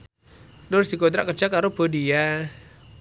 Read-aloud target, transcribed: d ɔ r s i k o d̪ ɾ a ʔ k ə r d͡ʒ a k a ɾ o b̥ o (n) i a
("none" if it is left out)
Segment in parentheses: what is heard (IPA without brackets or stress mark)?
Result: d